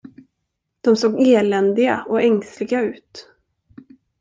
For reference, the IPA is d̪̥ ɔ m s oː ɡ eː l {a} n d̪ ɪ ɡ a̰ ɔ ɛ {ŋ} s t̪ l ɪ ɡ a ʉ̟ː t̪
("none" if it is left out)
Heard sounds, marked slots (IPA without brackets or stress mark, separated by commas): ɛ, ŋ